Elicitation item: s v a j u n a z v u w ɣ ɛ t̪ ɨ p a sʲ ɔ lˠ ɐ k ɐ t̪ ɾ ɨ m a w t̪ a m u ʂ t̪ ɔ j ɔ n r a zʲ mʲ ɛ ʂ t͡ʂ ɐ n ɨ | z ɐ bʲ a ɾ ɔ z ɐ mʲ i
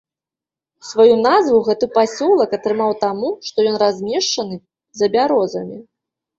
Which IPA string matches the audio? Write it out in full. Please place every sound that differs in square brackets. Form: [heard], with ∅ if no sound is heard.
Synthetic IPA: s v a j u n a z v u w ɣ ɛ t̪ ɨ p a sʲ ɔ lˠ ɐ k ɐ t̪ ɾ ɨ m a w t̪ a m u ʂ t̪ ɔ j ɔ n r a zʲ mʲ ɛ ʂ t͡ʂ ɐ n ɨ | z ɐ bʲ a ɾ ɔ z ɐ mʲ i